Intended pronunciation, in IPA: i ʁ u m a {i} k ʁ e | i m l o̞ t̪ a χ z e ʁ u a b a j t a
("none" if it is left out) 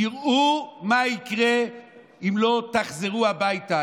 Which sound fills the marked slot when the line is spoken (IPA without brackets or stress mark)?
i